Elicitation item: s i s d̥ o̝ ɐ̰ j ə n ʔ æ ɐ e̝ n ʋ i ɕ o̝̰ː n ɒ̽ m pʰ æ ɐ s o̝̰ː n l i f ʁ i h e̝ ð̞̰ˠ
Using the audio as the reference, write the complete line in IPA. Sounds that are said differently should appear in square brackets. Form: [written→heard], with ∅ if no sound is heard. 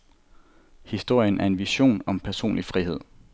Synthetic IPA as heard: [s→h] i s d̥ o̝ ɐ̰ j ə n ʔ æ ɐ e̝ n ʋ i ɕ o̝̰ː n ɒ̽ m pʰ æ ɐ s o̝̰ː n l i f ʁ i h e̝ ð̞̰ˠ